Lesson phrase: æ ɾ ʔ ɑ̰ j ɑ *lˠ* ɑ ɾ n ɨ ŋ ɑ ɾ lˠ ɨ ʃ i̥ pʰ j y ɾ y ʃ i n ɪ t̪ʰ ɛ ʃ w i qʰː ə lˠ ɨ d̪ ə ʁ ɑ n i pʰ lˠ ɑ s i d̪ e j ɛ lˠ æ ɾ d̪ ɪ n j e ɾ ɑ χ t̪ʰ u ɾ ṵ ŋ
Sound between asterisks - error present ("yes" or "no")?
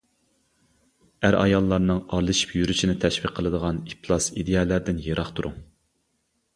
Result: yes